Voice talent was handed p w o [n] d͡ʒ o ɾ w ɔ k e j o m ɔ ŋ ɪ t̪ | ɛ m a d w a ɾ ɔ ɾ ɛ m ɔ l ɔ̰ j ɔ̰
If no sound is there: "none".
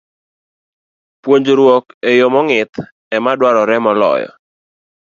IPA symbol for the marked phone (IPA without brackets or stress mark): ɲ